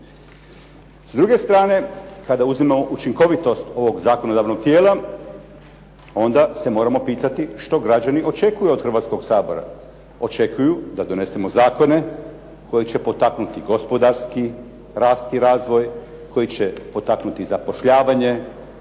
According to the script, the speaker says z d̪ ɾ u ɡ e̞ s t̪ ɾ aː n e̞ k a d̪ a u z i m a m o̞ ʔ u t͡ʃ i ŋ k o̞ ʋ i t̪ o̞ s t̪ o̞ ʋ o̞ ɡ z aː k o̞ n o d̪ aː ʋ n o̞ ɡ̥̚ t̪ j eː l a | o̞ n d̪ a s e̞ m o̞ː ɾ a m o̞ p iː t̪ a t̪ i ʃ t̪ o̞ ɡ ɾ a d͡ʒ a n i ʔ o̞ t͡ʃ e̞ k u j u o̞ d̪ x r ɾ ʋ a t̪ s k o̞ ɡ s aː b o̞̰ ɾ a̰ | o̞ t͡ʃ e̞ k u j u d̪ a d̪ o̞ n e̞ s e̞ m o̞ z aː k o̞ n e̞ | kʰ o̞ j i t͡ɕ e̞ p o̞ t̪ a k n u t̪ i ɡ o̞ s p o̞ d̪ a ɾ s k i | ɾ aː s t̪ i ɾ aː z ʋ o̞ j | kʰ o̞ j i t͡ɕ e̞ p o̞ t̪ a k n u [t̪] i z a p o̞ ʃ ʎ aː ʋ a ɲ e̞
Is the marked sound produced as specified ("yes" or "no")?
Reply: yes